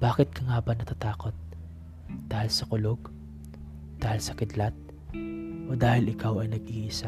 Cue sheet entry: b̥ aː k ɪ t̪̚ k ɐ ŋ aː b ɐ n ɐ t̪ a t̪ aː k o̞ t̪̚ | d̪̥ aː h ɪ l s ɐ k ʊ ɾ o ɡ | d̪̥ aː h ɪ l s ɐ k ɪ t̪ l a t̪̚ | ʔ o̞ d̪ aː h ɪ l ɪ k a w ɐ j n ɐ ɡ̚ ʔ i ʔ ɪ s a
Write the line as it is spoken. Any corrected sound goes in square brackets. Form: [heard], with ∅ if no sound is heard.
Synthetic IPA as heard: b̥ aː k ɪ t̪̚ k ɐ ŋ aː b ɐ n ɐ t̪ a t̪ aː k o̞ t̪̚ | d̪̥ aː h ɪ l s ɐ k ʊ [l] o ɡ | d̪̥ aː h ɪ l s ɐ k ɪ [d̪] l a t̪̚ | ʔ o̞ d̪ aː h ɪ l ɪ k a w ɐ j n ɐ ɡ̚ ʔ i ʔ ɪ s a